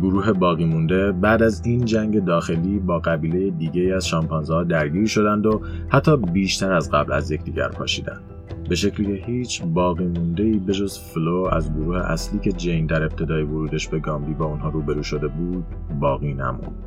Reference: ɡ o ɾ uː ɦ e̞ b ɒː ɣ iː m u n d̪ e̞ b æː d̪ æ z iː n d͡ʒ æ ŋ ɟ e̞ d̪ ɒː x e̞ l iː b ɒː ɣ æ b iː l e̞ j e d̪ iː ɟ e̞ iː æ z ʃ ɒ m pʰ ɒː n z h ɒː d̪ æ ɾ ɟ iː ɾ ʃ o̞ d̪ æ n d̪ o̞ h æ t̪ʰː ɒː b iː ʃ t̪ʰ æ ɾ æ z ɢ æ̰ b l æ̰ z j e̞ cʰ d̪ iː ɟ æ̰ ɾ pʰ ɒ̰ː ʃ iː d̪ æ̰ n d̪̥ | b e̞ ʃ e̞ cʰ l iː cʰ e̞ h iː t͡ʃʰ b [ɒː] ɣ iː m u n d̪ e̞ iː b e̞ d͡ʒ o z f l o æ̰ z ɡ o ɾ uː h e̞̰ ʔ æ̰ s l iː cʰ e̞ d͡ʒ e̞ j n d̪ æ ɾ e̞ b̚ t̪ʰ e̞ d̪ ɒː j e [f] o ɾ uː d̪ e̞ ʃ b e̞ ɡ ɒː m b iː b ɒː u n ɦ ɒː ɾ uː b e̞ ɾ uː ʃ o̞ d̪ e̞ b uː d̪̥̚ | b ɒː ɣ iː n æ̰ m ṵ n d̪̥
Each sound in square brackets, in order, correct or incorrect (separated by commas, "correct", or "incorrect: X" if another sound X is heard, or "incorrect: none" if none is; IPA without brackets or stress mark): correct, incorrect: v